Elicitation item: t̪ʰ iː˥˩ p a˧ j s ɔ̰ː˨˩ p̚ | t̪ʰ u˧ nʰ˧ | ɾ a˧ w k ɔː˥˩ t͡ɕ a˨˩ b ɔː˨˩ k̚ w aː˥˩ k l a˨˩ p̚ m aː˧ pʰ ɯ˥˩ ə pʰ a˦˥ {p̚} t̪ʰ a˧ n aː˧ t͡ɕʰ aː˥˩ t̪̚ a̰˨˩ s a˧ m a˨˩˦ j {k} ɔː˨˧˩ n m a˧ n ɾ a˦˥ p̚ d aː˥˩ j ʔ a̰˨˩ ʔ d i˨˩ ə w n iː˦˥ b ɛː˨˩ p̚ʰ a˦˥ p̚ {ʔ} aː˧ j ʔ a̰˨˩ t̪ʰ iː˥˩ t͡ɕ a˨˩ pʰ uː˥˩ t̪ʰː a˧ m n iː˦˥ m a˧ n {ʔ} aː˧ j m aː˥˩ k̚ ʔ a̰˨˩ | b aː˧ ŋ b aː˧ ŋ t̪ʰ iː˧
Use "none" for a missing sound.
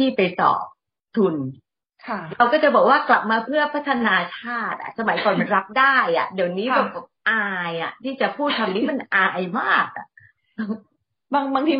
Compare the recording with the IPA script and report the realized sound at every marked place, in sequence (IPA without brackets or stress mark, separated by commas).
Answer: none, k, ʔ, ʔ